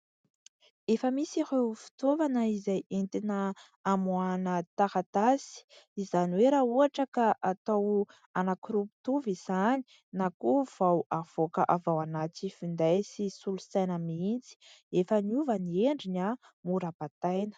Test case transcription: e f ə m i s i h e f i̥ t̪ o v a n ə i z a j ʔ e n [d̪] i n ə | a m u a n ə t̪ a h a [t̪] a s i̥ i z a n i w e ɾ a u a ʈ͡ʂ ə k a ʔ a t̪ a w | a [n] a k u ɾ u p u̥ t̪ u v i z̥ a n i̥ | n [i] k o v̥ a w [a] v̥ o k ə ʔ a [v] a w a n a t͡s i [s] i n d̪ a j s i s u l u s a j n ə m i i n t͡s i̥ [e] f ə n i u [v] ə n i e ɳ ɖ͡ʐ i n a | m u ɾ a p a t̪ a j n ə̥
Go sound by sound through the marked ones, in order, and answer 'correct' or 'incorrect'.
incorrect: t̪, correct, correct, incorrect: a, correct, correct, incorrect: f, correct, correct

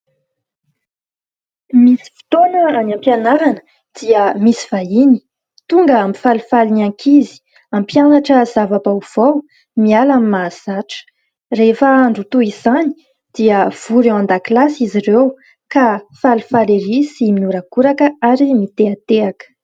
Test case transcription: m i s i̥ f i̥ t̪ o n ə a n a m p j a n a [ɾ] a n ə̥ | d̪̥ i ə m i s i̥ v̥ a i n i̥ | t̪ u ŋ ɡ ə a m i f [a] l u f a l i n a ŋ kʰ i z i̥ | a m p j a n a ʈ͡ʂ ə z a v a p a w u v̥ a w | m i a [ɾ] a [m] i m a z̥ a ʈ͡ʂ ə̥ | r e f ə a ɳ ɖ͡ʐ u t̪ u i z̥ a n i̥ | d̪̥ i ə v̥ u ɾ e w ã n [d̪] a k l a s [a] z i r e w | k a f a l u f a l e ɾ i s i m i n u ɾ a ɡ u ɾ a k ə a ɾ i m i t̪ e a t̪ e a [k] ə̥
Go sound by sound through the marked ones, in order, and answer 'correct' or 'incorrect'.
correct, correct, incorrect: l, correct, correct, incorrect: i, correct

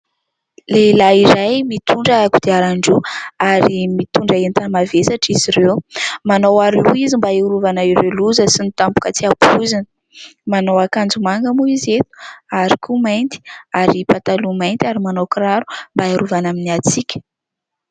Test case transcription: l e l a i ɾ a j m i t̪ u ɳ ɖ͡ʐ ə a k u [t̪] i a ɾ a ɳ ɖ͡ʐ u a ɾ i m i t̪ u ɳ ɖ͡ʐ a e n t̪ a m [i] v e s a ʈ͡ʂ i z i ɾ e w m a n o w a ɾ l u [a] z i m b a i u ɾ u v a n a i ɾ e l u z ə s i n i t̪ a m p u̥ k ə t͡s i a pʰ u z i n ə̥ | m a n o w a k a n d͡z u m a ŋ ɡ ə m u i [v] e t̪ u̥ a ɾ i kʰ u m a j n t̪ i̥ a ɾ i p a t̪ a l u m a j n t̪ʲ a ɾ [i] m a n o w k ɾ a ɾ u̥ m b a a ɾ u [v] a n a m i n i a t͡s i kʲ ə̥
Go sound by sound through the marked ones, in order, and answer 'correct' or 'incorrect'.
incorrect: d̪, incorrect: a, incorrect: i, incorrect: z, correct, correct

